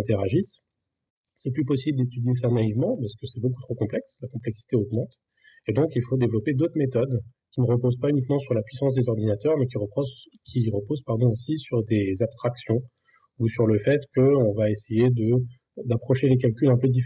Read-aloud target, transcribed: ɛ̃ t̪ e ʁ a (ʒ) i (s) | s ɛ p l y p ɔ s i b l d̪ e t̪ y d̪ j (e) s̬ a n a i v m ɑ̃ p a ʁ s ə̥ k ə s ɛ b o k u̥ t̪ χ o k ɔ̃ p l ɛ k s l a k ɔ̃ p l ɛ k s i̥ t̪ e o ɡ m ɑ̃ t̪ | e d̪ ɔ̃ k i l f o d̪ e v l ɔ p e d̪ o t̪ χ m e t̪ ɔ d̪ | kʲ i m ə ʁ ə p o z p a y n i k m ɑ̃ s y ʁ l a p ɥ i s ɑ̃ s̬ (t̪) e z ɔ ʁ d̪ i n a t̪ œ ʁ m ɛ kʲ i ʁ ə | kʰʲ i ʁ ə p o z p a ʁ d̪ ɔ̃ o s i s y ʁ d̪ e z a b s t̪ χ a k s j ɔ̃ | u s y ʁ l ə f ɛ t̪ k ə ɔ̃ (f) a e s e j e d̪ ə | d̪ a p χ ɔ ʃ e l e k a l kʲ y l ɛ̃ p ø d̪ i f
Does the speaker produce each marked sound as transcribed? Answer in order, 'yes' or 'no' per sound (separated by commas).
yes, yes, yes, no, no